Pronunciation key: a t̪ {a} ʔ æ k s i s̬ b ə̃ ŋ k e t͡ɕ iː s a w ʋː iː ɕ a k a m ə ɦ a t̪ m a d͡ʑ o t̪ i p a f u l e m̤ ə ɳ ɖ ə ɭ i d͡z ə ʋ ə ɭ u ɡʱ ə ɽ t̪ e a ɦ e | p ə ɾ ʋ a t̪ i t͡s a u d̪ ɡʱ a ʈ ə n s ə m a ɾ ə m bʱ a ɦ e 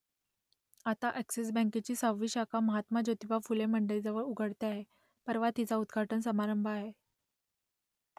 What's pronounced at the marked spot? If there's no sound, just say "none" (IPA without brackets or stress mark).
a